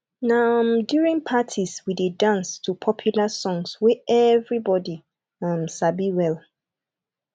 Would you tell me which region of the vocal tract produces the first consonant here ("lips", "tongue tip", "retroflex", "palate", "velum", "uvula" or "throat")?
tongue tip